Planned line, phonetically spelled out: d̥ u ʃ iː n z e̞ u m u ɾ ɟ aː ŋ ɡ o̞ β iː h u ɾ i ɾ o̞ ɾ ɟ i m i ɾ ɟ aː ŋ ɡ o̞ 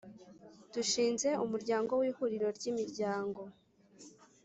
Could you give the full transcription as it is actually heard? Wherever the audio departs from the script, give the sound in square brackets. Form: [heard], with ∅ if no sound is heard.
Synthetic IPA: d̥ u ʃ iː n z e̞ u m u ɾ ɟ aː ŋ ɡ o̞ [w] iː h u ɾ i ɾ o̞ ɾ ɟ i m i ɾ ɟ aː ŋ ɡ o̞